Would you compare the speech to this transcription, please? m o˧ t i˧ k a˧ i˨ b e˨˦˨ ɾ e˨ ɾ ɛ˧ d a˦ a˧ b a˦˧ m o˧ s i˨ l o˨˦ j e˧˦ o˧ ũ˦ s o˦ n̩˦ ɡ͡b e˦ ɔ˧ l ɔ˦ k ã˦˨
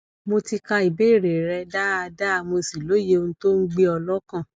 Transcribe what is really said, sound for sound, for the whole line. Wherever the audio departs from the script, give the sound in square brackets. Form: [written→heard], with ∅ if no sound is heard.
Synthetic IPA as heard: m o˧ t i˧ k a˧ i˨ b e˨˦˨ ɾ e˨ ɾ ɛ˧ d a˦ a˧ [b→d] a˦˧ m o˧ s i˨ l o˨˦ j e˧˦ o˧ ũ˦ [s→t] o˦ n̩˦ ɡ͡b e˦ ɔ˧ l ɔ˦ k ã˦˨

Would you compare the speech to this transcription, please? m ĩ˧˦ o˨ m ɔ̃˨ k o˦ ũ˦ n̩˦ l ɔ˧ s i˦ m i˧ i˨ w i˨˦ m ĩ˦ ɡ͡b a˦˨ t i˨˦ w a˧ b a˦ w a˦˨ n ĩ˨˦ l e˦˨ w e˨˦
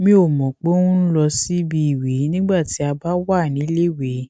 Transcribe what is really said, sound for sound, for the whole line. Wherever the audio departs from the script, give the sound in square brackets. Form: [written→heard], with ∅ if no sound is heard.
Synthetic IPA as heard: m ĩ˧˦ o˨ m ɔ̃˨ [k→k͡p] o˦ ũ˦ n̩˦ l ɔ˧ s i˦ [m→b] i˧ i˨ w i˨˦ [m→n] ĩ˦ ɡ͡b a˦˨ t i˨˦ [w→∅] a˧ b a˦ w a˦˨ n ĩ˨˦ l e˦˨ w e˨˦

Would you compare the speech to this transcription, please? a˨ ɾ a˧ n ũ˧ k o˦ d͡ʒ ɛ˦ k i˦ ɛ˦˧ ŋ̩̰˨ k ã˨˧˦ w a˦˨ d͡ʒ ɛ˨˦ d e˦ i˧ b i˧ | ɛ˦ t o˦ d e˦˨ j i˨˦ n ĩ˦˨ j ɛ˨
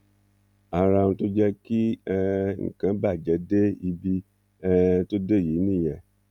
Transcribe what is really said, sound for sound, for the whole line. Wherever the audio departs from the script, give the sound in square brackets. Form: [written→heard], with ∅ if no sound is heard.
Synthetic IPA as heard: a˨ ɾ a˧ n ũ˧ [k→t] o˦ d͡ʒ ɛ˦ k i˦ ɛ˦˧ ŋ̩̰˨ k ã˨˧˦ [w→b] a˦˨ d͡ʒ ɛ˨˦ d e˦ i˧ b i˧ | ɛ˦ t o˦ d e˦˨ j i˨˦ n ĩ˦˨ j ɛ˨

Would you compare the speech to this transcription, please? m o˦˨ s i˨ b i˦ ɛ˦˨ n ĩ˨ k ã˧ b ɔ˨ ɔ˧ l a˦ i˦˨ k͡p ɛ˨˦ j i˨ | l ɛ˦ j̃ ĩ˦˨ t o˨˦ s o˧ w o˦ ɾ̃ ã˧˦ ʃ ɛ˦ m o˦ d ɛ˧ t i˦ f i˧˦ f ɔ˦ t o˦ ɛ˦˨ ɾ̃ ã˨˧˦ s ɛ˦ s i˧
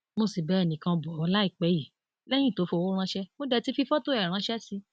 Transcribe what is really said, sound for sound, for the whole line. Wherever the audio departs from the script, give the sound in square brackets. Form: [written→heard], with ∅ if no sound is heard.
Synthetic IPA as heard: m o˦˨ s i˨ b [i˦→ɛ˦] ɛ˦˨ n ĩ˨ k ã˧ b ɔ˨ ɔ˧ l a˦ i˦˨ k͡p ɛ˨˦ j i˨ | l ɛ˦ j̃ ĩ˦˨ t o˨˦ [s→f] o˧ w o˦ ɾ̃ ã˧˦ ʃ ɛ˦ m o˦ d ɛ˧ t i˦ f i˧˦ f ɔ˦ t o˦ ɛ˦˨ ɾ̃ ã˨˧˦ [s→ʃ] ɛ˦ s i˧

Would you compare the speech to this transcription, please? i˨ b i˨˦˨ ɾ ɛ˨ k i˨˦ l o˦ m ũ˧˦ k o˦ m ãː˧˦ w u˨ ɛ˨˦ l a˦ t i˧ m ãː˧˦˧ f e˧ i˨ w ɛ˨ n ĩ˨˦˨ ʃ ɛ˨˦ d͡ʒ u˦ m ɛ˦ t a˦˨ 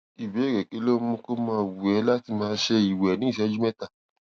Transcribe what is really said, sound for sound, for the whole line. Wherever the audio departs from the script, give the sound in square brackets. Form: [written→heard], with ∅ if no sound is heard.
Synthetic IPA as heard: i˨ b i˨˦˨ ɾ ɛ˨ k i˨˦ l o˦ m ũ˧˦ k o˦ m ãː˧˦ w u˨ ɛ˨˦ l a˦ t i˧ m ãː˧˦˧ [f→ʃ] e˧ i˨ w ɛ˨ n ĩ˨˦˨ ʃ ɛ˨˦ d͡ʒ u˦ m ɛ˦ t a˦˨

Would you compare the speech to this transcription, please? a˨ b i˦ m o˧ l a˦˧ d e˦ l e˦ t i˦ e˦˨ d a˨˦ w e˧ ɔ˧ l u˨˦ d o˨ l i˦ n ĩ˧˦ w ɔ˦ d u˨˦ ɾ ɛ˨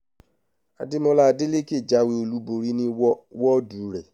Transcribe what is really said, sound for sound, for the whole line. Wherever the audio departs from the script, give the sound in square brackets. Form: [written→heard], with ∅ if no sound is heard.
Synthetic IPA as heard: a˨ [b→d] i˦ m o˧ l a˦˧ d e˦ l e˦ [t→k] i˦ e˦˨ [d→d͡ʒ] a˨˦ w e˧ [ɔ˧→o˧] l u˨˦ [d→b] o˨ [l→ɾ] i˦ n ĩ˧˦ w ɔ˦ d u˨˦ ɾ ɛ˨

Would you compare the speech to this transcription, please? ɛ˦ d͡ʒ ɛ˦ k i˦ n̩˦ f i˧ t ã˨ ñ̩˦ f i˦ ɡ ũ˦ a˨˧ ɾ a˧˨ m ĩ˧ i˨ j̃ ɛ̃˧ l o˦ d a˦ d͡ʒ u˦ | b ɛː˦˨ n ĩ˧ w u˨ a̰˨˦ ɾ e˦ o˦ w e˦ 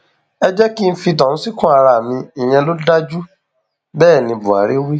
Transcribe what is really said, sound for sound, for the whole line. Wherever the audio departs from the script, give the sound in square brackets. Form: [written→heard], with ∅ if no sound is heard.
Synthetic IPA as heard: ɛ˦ d͡ʒ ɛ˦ k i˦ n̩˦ f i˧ t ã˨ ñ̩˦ [f→s] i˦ [ɡ→k] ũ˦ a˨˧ ɾ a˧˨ m ĩ˧ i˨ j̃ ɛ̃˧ l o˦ d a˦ d͡ʒ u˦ | b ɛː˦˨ n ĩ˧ [w→b] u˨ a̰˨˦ ɾ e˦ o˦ w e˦

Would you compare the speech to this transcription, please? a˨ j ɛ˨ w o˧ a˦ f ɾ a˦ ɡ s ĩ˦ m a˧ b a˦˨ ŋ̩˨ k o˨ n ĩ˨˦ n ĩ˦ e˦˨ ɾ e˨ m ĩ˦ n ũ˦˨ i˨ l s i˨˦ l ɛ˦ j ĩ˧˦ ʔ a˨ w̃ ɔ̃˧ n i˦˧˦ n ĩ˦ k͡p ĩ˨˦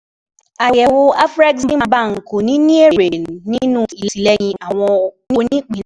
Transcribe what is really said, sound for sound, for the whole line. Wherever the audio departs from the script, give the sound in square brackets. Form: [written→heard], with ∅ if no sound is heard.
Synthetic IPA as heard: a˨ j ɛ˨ w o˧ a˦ f ɾ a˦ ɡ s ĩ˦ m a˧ b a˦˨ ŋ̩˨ k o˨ n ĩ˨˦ n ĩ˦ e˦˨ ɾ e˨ [m→n] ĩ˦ n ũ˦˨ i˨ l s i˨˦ l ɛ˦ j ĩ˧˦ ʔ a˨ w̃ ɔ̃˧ n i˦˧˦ n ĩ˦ k͡p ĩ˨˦

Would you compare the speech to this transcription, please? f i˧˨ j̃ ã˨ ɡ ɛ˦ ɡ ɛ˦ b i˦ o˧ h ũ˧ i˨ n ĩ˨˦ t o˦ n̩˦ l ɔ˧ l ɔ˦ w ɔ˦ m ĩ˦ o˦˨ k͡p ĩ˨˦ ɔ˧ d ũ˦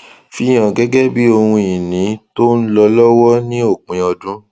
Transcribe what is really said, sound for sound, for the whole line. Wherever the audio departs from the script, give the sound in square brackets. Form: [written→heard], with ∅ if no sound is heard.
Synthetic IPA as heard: f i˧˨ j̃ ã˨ ɡ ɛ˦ ɡ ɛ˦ b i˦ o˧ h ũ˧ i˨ n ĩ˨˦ t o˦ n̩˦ l ɔ˧ l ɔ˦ w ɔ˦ [m→n] ĩ˦ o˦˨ k͡p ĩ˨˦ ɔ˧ d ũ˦

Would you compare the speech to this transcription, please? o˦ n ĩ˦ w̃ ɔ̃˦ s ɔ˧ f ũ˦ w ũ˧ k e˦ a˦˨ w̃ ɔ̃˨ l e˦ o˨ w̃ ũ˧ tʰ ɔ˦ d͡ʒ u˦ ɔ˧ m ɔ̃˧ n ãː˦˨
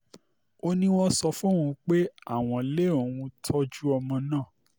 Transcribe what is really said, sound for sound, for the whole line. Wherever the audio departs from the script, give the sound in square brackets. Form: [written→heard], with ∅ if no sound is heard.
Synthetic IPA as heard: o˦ n ĩ˦ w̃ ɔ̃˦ s ɔ˧ f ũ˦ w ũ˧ [k→k͡p] e˦ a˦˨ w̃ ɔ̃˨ l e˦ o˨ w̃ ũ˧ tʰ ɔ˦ d͡ʒ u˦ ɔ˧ m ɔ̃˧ n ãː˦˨

